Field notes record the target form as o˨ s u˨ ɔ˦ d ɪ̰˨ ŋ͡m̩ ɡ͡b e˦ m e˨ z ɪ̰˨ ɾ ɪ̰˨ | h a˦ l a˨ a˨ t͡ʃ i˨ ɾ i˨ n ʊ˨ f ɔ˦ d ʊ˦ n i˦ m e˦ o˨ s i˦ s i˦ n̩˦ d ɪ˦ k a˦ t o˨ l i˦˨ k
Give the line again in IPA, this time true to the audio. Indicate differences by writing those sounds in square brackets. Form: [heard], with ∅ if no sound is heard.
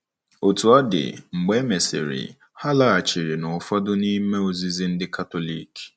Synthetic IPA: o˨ [t] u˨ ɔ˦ d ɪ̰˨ ŋ͡m̩ ɡ͡b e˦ m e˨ [s] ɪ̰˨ ɾ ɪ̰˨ | h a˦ l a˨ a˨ t͡ʃ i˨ ɾ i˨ n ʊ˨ f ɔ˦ d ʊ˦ n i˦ m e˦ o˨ [z] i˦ [z] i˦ n̩˦ d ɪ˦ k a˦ t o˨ l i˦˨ k